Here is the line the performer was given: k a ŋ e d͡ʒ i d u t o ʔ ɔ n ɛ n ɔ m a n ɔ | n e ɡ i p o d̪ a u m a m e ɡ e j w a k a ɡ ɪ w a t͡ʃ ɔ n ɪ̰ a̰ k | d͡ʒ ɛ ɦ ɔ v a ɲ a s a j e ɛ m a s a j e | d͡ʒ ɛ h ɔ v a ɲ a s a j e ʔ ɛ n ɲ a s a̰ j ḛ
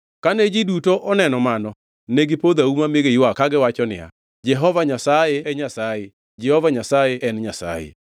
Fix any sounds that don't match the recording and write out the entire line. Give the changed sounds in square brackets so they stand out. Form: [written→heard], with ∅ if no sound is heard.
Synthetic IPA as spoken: k a [ŋ→n] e d͡ʒ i d u t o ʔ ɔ n ɛ n ɔ m a n ɔ | n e ɡ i p o d̪ a u m a m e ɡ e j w a k a ɡ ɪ w a t͡ʃ ɔ n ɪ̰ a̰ [k→∅] | d͡ʒ ɛ ɦ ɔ v a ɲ a s a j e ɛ [m→ɲ] a s a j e | d͡ʒ ɛ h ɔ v a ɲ a s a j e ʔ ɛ n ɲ a s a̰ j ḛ